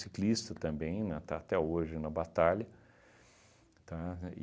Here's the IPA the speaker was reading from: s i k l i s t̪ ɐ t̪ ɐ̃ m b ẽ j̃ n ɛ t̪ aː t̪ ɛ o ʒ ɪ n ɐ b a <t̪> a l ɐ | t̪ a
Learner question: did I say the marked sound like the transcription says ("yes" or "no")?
yes